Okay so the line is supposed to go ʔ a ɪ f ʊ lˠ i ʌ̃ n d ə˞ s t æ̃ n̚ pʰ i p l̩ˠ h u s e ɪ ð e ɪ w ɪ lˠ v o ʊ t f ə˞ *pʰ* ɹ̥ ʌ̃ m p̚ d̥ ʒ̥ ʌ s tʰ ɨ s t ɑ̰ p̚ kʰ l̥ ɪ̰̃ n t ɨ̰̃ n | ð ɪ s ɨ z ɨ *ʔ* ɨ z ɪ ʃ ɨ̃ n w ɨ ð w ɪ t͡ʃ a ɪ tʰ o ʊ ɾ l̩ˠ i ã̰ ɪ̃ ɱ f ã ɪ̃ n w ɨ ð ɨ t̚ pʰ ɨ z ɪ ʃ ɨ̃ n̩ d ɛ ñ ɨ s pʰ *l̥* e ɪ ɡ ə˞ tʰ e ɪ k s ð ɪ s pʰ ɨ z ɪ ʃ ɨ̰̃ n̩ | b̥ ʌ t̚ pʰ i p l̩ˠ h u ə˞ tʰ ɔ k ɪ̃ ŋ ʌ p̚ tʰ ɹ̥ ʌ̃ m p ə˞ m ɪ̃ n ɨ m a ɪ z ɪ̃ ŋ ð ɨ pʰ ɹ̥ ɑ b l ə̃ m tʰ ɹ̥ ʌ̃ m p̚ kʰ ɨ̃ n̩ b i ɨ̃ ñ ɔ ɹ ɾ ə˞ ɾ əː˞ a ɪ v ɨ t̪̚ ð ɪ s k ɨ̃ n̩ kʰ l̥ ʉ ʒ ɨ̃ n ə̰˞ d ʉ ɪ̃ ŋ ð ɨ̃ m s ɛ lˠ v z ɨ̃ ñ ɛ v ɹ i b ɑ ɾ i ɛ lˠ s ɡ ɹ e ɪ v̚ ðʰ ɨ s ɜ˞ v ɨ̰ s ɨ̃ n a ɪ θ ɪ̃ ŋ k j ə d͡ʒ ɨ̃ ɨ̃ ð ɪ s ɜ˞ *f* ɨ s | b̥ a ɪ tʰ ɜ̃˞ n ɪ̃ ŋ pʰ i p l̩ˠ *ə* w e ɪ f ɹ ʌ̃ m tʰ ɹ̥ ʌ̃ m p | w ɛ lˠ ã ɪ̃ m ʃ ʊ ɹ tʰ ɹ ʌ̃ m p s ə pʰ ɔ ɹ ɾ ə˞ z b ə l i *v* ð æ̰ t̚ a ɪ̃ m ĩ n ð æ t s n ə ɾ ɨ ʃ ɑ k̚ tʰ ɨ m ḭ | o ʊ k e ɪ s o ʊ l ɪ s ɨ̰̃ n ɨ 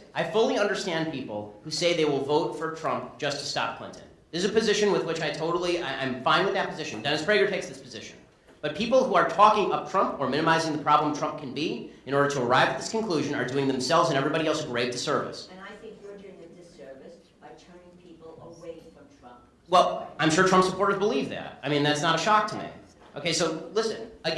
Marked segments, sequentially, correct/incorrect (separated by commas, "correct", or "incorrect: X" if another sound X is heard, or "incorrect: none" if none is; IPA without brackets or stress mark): incorrect: tʰ, incorrect: p, incorrect: ɹ̥, incorrect: v, correct, correct